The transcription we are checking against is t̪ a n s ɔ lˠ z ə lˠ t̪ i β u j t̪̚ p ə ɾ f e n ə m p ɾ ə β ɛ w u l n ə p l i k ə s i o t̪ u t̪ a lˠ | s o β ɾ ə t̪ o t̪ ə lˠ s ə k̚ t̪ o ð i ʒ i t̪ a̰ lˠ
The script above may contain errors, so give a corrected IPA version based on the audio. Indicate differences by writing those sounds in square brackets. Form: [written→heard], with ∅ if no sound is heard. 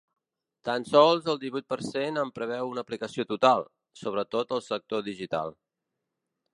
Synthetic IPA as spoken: t̪ a n s ɔ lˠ z ə lˠ [t̪→d̪] i β u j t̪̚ p ə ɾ [f→s] e n ə m p ɾ ə β ɛ w u [l→∅] n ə p l i k ə s i o t̪ u t̪ a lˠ | s o β ɾ ə t̪ o t̪ ə lˠ s ə k̚ t̪ o ð i ʒ i t̪ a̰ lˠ

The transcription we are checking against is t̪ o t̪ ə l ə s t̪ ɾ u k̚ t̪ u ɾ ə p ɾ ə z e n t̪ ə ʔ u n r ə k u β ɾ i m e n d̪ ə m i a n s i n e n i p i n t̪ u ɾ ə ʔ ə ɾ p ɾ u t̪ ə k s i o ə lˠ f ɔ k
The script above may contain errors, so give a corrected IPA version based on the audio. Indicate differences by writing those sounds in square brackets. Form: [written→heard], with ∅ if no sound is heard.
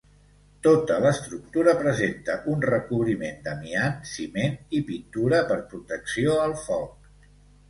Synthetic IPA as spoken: t̪ o t̪ ə l ə s t̪ ɾ u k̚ t̪ u ɾ ə p ɾ ə z e n t̪ ə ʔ u n r ə k u β ɾ i m e n d̪ ə m i a n s i [n→m] e n i p i n t̪ u ɾ ə [ʔ→p] ə ɾ p ɾ u t̪ ə k s i o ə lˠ f ɔ k

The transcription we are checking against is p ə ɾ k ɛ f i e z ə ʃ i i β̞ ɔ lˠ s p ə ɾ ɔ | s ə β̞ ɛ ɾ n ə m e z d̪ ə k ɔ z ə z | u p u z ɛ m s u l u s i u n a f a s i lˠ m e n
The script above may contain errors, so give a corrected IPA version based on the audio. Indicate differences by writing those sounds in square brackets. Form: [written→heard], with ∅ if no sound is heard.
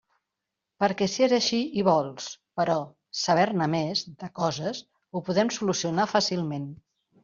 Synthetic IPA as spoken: p ə ɾ k ɛ [f→s] i e z ə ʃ i i β̞ ɔ lˠ s p ə ɾ ɔ | s ə β̞ ɛ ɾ n ə m e z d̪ ə k ɔ z ə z | u p u [z→ð] ɛ m s u l u s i u n a f a s i lˠ m e n

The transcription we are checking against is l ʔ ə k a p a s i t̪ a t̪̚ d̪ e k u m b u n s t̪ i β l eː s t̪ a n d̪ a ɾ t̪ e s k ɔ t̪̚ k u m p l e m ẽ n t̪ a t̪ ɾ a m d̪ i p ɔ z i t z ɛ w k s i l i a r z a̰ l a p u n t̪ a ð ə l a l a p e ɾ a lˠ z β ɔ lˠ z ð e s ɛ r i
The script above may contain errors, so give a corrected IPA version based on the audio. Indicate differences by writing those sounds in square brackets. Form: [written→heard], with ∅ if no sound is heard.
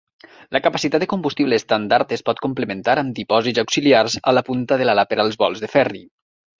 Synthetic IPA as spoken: l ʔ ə k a p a s i t̪ a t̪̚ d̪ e k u m b u [n→∅] s t̪ i β l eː s t̪ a n d̪ a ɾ t̪ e s [k→p] ɔ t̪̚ k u m p l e m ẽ n t̪ a [t̪→∅] ɾ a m d̪ i p ɔ z i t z [ɛ→a] w k s i l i a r z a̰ l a p u n t̪ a ð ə l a l a p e ɾ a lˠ z β ɔ lˠ z ð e [s→f] ɛ r i

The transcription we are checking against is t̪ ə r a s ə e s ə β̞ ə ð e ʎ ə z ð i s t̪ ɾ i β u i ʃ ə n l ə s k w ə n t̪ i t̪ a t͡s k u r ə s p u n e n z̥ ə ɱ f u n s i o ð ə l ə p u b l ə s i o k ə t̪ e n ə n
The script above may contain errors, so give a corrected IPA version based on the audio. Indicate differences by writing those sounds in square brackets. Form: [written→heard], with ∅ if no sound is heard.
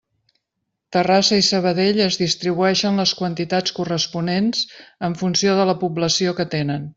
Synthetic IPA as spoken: t̪ ə r a s ə [e→i] s ə β̞ ə ð e ʎ ə z ð i s t̪ ɾ i β u [i→ɛ] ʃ ə n l ə s k w ə n t̪ i t̪ a t͡s k u r ə s p u n e n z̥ ə ɱ f u n s i o ð ə l ə p u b l ə s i o k ə t̪ e n ə n

